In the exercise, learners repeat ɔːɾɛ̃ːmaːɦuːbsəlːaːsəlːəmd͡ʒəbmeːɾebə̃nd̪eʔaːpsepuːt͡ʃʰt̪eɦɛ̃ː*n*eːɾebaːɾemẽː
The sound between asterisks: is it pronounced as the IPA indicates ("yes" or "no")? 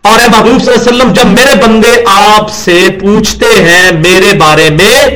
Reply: no